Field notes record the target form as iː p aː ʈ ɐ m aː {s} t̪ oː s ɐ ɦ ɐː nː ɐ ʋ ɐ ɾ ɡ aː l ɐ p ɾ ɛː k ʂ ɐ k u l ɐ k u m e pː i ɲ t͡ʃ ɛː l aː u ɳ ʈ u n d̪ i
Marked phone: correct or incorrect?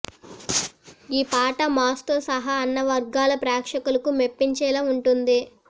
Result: correct